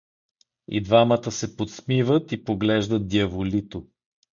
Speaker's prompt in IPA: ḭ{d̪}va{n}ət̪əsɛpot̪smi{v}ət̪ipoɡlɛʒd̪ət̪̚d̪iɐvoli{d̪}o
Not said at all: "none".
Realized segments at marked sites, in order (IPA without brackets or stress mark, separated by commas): d̪, m, v, t̪